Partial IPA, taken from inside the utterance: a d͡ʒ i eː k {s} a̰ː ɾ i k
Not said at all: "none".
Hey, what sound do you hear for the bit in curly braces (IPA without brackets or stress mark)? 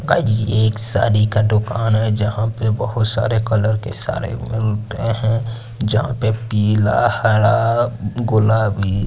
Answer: s